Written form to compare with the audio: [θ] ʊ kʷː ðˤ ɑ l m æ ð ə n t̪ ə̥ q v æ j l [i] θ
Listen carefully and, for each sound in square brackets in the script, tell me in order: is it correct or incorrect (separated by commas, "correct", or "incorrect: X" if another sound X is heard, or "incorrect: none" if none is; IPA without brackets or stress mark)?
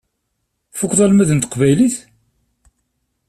incorrect: f, correct